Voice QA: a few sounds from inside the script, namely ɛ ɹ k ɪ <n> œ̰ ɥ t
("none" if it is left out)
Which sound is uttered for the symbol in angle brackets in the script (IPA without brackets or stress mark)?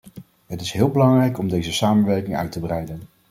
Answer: ŋ